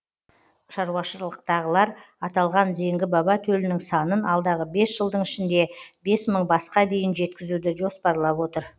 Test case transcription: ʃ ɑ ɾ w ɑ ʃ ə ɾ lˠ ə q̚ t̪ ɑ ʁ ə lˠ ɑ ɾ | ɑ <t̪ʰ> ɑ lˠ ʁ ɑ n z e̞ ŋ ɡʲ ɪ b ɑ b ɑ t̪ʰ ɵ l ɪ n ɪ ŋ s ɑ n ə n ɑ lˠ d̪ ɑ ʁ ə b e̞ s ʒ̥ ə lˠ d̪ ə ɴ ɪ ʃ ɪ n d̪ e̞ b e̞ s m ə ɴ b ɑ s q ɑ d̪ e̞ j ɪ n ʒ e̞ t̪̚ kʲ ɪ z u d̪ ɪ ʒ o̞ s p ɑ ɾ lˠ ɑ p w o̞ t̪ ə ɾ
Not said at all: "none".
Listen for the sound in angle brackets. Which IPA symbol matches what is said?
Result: t̪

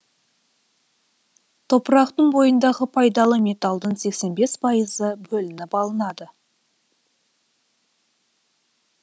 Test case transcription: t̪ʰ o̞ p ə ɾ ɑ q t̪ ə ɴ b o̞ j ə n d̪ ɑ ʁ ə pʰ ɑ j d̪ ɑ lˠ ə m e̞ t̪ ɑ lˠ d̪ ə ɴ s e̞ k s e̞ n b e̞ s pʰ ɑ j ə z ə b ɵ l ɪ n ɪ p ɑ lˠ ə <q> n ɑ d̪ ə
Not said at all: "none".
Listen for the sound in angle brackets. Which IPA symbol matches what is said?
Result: none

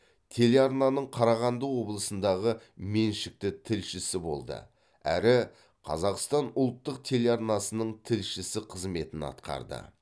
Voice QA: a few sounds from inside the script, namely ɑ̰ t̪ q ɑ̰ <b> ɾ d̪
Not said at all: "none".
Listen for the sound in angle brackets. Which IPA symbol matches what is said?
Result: none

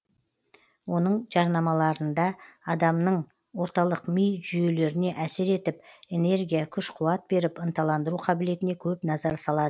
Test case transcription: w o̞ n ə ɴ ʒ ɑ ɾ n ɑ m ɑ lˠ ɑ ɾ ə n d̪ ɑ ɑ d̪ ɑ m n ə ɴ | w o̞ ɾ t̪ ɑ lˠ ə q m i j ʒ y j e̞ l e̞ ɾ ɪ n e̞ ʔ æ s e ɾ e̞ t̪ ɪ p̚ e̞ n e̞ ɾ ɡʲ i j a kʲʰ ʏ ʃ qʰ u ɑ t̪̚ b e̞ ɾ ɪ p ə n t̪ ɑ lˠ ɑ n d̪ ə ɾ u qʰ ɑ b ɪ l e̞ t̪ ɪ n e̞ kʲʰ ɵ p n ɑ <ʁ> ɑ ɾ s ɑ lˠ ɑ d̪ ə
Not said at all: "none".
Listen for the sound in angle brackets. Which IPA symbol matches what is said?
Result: z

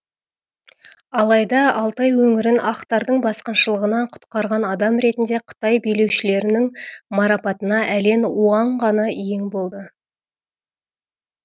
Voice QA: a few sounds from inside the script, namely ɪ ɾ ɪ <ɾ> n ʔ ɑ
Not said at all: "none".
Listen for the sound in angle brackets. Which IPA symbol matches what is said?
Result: none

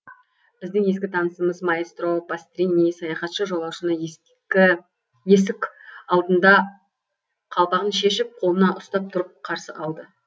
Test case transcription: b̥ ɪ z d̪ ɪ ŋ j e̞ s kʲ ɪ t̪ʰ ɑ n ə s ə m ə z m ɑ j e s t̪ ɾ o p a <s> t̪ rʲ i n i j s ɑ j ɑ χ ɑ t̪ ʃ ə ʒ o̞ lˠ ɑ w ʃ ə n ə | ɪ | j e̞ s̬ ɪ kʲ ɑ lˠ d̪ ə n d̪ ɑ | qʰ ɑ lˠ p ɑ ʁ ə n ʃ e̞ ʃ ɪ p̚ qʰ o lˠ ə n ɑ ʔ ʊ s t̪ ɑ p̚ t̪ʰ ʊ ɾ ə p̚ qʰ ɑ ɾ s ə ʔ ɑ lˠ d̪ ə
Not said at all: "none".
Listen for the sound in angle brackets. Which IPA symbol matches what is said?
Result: s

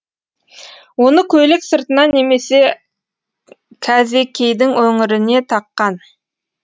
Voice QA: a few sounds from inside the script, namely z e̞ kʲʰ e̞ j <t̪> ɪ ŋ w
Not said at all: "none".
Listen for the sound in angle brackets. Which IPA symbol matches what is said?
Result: d̪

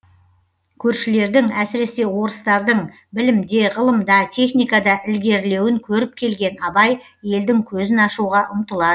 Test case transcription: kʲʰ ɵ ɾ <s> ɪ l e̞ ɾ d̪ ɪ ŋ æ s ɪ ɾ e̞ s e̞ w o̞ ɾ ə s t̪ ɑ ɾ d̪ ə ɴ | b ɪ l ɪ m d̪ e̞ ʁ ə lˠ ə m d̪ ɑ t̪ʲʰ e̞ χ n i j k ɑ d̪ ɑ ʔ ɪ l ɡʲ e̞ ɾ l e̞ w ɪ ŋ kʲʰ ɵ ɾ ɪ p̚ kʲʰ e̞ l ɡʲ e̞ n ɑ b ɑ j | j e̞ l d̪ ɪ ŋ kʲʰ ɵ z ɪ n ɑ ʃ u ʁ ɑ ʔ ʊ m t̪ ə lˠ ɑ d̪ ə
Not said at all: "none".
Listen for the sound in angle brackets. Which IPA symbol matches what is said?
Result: ʃ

